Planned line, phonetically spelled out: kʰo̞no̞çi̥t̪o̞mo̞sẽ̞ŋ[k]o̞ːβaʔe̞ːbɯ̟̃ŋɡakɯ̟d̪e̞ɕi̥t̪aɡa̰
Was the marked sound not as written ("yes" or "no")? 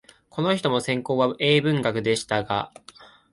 no